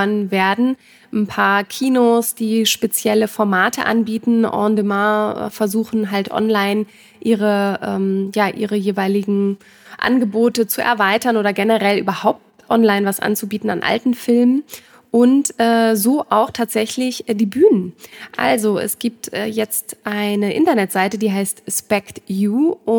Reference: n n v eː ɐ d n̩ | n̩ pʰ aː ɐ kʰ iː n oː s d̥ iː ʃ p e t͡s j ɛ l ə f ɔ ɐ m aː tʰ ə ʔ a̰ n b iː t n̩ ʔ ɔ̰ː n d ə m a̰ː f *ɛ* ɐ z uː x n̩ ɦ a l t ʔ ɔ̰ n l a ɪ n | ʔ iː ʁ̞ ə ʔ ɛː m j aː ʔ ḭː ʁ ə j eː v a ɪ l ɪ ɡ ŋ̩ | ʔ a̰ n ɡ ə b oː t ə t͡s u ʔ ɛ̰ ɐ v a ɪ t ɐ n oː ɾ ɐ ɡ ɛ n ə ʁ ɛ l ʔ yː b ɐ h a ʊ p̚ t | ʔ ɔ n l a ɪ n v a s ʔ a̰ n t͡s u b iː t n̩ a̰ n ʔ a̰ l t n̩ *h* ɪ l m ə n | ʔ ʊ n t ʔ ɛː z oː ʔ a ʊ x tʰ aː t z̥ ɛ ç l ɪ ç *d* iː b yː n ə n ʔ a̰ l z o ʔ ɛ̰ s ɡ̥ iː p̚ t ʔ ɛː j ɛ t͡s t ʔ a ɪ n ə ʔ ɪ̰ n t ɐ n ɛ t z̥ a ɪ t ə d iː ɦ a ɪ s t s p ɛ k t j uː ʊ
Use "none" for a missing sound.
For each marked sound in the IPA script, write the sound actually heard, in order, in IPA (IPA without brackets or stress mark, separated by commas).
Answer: ɛ, f, d